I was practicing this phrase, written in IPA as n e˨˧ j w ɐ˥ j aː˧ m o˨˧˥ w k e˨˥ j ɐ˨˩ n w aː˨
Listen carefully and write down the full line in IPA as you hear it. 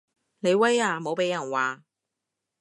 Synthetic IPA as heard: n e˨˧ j w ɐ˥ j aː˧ m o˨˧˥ w p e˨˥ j ɐ˨˩ n w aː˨